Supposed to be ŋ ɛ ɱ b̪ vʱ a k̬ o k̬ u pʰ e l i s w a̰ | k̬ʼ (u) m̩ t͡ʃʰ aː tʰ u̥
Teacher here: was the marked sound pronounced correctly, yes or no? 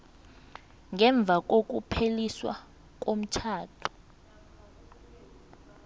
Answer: no